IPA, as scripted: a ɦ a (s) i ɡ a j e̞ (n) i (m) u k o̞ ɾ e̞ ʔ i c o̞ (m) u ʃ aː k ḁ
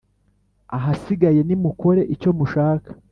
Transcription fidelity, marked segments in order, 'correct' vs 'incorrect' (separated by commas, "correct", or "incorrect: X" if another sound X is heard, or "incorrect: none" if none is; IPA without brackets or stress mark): correct, correct, correct, correct